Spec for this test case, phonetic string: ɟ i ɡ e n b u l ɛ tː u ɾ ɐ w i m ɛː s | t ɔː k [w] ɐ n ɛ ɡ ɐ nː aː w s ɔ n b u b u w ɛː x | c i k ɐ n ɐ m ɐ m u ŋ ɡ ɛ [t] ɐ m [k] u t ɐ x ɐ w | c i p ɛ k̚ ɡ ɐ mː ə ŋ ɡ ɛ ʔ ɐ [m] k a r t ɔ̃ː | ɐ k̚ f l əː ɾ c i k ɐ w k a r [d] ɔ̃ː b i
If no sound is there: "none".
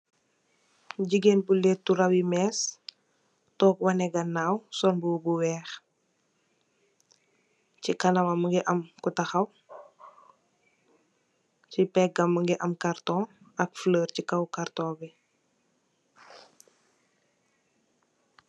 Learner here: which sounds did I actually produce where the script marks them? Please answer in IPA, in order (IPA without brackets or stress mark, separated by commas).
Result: w, ʔ, k, m, t